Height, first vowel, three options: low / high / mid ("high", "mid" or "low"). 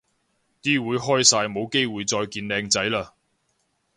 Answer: high